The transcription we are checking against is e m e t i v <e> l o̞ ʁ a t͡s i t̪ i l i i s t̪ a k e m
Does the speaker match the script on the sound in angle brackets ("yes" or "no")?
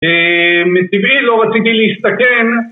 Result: no